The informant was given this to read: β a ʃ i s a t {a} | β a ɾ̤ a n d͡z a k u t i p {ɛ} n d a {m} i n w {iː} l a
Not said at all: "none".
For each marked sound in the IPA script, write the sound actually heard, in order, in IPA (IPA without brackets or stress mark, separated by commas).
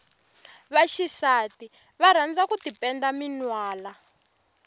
i, ɛ, m, aː